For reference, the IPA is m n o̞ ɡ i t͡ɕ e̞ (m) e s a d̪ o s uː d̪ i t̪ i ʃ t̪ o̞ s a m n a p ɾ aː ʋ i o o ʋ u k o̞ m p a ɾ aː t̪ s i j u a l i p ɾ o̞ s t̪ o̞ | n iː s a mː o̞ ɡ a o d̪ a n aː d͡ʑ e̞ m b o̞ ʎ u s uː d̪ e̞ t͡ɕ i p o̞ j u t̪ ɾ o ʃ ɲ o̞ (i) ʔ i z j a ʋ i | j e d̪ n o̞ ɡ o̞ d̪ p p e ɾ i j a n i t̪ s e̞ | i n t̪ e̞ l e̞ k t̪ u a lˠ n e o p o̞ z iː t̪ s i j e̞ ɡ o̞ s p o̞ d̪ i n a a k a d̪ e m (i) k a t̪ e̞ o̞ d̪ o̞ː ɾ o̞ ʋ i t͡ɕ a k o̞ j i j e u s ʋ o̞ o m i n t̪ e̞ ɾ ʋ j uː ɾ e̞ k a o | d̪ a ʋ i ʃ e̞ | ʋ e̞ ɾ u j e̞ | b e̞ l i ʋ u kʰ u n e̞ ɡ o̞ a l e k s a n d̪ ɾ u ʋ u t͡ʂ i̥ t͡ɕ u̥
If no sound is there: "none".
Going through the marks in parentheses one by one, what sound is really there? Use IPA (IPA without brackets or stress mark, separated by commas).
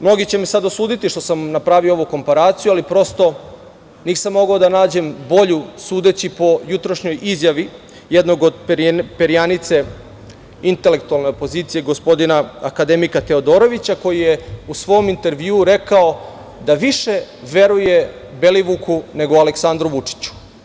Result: m, j, i